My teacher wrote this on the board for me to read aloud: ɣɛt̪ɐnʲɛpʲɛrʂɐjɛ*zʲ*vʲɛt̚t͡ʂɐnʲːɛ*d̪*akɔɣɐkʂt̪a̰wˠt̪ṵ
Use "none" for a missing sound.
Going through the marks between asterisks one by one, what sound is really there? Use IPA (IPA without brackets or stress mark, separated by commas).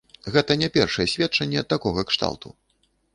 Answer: sʲ, t̪